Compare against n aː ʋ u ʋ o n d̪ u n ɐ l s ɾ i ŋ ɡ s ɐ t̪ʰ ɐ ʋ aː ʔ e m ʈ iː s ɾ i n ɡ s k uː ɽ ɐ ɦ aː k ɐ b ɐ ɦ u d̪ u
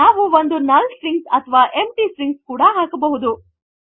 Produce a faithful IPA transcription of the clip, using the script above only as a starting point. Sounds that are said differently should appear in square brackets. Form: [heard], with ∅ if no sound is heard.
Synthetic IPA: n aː ʋ u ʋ o n d̪ u n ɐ l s ɾ i ŋ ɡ s ɐ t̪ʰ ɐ ʋ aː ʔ e m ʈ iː s ɾ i [ŋ] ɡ s k uː ɽ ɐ ɦ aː k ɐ b ɐ ɦ u d̪ u